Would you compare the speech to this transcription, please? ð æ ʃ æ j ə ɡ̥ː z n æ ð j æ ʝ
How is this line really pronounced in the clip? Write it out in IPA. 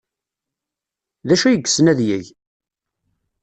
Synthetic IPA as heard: ð æ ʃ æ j ə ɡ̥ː s n æ ð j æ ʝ

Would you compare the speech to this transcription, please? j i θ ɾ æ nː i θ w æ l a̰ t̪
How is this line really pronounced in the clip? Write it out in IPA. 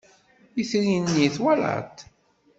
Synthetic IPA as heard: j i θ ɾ i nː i θ w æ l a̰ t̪

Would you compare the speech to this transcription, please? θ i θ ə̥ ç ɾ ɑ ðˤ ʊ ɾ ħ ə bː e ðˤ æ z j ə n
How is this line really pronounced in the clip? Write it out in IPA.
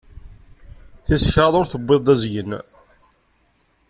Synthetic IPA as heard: θ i s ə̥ ç ɾ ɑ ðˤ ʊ ɾ θ ə bː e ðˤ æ z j ə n

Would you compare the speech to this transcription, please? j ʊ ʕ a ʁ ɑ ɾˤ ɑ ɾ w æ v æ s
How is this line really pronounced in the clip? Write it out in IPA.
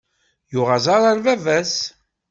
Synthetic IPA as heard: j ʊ ʁ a z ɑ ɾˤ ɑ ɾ v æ v æ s

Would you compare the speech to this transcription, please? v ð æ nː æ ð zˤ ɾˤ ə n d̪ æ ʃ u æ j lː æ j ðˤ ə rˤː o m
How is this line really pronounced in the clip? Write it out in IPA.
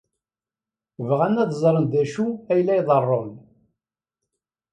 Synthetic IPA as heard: v ʁ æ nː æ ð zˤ ɾˤ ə n d̪ æ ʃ u æ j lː æ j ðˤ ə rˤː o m

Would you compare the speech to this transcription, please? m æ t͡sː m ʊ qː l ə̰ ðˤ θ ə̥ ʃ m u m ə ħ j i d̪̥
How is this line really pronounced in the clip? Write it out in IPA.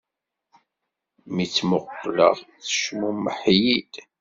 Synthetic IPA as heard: m i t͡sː m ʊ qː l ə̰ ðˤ θ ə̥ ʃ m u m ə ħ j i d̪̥

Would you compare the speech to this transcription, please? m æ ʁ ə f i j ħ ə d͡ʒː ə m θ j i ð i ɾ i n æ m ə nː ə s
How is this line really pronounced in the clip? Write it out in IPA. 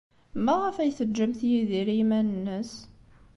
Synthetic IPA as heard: m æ ʁ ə f æ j θ ə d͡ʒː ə m θ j i ð i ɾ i m æ n ə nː ə s

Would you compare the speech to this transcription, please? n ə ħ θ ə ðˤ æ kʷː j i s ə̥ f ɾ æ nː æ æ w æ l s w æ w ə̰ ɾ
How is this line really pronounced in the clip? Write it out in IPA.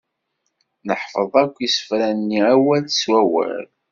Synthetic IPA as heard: n ə ħ f ə ðˤ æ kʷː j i s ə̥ f ɾ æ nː i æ w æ l s w æ w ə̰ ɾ

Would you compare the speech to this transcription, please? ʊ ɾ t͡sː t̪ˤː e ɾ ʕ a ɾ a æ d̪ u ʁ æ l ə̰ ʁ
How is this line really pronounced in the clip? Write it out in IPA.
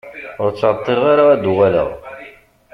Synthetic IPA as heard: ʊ ɾ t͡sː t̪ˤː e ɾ ʁ a ɾ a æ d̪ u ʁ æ l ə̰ ʁ

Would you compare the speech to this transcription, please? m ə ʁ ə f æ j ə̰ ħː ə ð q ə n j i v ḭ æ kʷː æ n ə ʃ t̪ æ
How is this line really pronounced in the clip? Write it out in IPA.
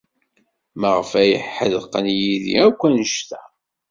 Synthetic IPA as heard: m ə ʁ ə f æ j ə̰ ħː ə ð q ə n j i ð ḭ æ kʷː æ n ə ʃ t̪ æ

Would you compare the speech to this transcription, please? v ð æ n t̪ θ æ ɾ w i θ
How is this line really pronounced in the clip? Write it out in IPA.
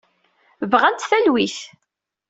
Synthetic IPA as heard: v ʁ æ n t̪ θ æ l w i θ

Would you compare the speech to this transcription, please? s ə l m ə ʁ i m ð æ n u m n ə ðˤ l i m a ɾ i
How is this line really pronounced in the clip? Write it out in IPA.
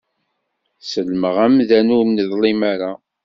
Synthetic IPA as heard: s ə l m ə ʁ æ m ð æ n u m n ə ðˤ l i m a ɾ a

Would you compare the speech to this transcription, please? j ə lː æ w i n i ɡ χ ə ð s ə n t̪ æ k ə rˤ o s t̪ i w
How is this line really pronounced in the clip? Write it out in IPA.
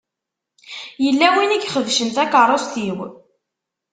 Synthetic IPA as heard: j ə lː æ w i n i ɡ χ ə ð ʃ ə n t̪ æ k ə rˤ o s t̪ i w

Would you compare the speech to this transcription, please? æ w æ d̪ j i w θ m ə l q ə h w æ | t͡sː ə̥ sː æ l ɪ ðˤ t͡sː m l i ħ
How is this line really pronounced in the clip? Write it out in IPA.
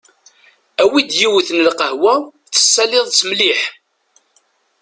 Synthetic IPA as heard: æ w i d̪ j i w θ n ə l q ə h w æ | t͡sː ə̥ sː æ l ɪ ðˤ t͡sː m l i ħ

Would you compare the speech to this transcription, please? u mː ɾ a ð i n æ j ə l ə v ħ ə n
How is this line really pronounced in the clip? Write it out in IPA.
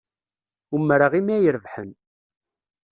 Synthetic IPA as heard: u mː ɾ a ʁ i m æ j ə ɾ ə v ħ ə n

